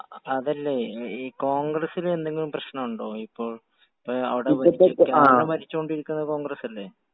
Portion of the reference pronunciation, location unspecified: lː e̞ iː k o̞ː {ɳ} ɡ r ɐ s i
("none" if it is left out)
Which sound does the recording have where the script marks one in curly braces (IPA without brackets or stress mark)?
ŋ